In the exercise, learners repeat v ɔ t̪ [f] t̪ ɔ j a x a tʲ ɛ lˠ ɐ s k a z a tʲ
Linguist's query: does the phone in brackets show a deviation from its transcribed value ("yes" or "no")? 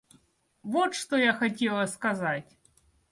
yes